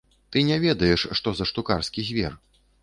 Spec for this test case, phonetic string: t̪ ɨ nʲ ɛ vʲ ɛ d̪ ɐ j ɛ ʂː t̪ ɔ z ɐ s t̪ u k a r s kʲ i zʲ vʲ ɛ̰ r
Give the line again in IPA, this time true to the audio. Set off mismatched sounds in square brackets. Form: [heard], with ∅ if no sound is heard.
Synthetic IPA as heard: t̪ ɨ nʲ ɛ vʲ ɛ d̪ ɐ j ɛ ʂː t̪ ɔ z ɐ [ʂ] t̪ u k a r s kʲ i zʲ vʲ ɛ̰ r